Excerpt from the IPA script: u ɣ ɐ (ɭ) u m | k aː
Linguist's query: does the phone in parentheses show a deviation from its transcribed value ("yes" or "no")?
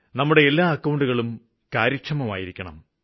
no